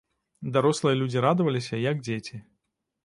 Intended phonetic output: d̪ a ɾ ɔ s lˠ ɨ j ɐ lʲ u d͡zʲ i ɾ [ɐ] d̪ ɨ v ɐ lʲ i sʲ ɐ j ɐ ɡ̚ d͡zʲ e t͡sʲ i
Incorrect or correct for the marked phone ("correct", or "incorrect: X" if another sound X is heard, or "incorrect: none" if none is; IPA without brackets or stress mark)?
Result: incorrect: a